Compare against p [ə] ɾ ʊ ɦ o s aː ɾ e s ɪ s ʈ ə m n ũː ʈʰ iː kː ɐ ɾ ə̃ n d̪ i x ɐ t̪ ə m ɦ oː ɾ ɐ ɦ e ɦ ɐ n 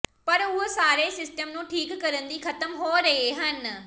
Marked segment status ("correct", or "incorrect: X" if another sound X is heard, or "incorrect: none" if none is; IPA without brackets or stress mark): incorrect: ɐ